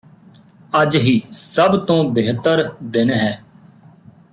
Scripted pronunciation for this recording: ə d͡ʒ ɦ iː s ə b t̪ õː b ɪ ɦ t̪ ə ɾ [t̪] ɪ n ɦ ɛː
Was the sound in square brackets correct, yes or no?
no